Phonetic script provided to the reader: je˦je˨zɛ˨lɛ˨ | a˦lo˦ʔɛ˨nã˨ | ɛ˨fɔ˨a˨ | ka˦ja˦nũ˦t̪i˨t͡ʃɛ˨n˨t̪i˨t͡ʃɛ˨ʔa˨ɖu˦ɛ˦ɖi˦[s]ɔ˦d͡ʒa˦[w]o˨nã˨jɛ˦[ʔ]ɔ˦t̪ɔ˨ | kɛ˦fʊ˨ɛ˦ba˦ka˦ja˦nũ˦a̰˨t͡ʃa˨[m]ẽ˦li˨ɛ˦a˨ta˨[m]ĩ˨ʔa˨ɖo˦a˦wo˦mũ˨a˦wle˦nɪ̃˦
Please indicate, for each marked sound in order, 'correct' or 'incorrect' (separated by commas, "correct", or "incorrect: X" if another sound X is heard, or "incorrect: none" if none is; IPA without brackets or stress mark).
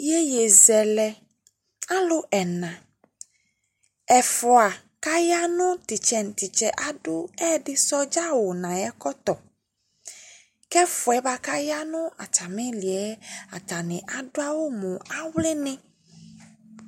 correct, correct, incorrect: k, correct, incorrect: n